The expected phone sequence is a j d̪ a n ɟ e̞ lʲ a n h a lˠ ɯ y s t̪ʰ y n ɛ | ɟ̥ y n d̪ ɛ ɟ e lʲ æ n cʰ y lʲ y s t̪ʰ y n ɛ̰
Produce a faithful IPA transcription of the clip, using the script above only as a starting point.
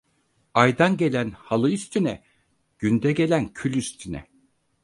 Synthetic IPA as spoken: a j d̪ a n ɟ e̞ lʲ æ n h a lˠ ɯ y s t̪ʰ y n ɛ | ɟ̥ y n d̪ ɛ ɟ e lʲ æ n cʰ y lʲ y s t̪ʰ y n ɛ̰